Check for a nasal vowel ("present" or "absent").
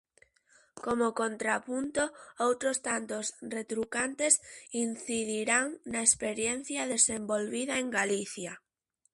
absent